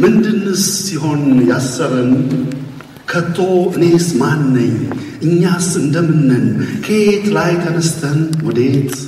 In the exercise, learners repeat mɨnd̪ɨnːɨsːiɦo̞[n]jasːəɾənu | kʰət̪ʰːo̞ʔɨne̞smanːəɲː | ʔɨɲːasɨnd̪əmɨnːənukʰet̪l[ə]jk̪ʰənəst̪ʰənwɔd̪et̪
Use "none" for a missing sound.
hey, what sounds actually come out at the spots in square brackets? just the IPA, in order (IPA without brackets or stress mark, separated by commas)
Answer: n, a